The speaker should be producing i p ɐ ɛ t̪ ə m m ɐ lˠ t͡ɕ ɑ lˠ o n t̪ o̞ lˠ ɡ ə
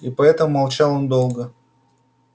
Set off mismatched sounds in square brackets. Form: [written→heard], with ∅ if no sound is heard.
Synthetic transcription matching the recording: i p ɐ ɛ t̪ ə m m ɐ lˠ t͡ɕ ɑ lˠ o n [t̪→d̪] o̞ lˠ ɡ ə